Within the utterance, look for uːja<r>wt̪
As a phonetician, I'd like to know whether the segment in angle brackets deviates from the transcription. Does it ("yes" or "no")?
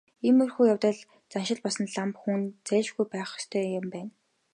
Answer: yes